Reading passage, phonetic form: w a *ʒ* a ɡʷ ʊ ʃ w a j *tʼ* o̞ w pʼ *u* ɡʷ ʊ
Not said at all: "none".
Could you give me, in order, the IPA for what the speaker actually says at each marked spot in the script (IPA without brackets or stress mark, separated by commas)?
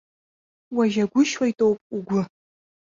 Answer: ʒ, tʼ, u